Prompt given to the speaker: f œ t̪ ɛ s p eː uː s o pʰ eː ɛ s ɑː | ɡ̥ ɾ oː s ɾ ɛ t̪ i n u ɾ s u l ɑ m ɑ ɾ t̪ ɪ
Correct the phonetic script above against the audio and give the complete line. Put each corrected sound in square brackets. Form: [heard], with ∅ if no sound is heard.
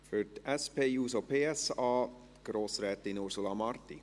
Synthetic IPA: f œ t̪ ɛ s p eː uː s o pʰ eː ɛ s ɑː | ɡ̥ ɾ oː s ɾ ɛ t̪ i n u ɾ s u l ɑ m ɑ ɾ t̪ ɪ